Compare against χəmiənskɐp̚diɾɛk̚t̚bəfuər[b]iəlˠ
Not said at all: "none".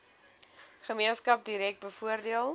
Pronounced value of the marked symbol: d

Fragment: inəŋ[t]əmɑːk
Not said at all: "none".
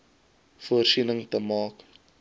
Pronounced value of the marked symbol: t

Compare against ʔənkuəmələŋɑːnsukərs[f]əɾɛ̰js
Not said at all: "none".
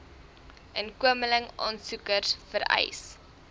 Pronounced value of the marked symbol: f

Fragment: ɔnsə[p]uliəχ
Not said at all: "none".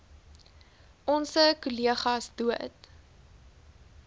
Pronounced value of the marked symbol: k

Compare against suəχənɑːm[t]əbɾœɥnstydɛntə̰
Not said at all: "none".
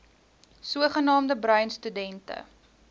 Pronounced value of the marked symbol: d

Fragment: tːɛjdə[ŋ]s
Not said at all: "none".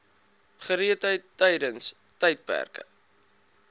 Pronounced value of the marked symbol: n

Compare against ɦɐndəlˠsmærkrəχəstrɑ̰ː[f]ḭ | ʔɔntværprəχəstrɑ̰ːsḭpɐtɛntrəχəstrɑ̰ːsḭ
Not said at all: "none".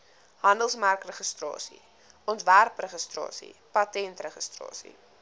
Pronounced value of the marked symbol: s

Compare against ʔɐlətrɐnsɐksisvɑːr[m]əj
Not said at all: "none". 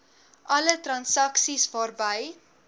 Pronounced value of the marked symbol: b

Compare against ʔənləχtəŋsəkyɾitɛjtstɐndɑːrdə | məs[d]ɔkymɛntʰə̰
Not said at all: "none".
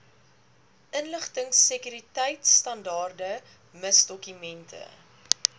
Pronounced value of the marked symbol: d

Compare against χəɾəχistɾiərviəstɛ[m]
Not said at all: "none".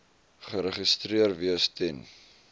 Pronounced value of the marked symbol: n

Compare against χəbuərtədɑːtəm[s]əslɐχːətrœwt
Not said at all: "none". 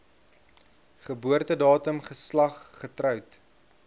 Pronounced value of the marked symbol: χ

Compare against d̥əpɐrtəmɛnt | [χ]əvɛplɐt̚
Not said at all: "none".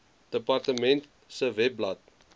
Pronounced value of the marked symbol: s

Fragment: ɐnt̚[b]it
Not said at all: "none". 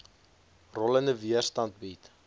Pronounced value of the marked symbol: b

